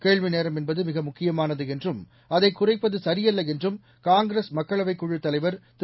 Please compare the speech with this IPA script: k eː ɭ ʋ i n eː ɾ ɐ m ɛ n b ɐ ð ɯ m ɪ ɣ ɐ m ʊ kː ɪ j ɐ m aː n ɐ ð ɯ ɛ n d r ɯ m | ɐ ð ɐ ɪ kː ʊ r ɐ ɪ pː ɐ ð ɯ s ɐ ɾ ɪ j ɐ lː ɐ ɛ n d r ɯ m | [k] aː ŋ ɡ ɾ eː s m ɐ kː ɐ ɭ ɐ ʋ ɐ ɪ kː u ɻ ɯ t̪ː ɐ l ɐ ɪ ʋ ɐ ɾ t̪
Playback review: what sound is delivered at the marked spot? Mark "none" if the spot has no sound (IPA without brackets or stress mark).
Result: k